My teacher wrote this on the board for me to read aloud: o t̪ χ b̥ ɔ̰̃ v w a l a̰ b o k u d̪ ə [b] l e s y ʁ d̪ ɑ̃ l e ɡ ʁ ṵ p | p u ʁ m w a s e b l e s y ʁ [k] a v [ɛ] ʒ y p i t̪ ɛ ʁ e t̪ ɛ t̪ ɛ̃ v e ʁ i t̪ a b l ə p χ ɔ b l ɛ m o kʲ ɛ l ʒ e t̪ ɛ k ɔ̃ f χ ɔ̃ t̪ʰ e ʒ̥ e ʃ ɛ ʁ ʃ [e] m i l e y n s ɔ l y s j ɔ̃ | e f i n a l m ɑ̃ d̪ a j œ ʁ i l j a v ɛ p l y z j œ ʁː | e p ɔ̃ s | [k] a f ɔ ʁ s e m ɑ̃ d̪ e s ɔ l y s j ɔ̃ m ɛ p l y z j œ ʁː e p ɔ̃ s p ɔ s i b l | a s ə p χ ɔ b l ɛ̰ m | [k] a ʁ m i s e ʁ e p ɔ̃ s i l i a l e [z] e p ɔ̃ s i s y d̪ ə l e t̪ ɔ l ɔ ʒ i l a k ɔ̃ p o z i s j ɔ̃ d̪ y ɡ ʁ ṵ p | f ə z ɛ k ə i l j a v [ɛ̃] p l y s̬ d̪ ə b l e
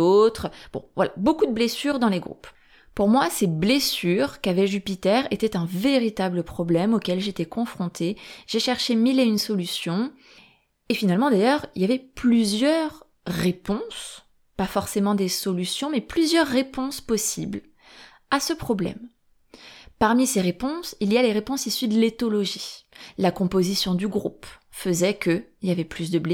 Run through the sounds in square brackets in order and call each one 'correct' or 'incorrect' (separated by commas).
correct, correct, correct, correct, incorrect, incorrect, incorrect, incorrect